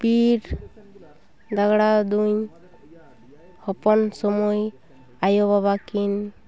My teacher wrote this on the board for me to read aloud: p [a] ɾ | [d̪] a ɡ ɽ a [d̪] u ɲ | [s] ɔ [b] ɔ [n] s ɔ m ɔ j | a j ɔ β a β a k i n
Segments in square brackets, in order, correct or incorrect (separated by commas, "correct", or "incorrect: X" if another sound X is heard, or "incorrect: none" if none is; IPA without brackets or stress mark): incorrect: i, correct, correct, incorrect: h, incorrect: p, correct